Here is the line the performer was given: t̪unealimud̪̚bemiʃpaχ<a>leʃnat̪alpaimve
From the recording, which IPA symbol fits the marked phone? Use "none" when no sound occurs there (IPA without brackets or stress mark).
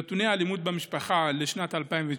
a